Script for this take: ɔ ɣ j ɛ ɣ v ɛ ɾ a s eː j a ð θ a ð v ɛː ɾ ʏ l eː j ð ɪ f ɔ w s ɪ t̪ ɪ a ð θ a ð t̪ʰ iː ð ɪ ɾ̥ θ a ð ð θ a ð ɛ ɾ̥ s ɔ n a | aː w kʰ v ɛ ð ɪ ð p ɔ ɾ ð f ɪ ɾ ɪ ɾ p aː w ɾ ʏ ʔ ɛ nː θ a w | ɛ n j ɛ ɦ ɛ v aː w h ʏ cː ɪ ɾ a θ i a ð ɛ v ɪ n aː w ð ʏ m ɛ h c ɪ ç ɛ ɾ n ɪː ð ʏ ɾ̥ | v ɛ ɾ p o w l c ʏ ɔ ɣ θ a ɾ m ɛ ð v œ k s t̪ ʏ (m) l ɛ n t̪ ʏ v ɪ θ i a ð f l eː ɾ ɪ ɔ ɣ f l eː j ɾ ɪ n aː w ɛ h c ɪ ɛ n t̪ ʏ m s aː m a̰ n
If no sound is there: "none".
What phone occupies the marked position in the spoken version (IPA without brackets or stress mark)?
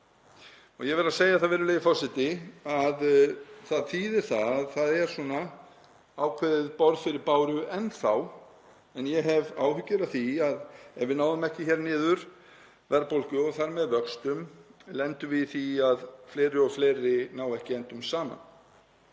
m